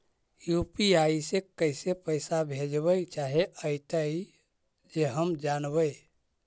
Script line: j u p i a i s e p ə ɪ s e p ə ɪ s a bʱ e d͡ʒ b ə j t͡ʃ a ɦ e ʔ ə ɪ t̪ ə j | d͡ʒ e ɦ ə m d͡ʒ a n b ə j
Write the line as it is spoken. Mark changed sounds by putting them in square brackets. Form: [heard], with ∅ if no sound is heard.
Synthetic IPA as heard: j u p i a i s e [k] ə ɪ s e p ə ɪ s a bʱ e d͡ʒ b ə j t͡ʃ a ɦ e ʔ ə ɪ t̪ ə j | d͡ʒ e ɦ ə m d͡ʒ a n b ə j